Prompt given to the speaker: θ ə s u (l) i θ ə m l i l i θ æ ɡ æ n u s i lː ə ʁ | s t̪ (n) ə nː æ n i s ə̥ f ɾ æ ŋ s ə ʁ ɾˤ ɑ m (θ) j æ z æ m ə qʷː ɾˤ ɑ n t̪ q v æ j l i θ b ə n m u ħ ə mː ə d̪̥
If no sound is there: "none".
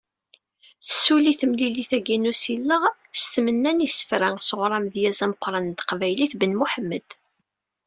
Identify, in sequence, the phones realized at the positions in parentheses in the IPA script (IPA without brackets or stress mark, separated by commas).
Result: l, m, ð